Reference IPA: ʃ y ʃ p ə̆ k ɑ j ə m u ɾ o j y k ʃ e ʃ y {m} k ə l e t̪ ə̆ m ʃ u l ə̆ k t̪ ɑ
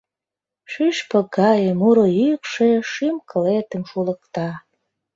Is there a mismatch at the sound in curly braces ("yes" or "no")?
no